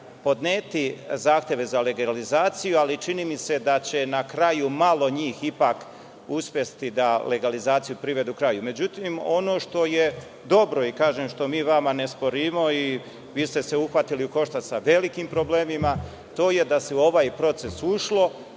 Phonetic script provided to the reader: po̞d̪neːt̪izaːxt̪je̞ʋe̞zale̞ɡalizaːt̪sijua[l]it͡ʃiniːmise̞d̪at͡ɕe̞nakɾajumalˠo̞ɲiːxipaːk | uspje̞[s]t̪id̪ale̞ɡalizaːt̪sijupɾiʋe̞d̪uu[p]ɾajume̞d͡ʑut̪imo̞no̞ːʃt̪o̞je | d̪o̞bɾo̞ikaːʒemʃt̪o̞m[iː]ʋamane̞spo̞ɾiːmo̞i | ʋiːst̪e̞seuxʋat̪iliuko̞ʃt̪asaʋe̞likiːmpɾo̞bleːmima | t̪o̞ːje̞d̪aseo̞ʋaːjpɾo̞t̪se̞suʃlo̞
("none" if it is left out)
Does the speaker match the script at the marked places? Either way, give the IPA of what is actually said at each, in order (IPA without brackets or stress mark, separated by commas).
l, s, k, iː